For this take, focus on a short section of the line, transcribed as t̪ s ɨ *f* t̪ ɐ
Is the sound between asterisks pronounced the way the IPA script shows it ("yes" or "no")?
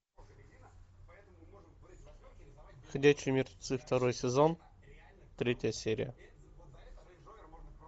yes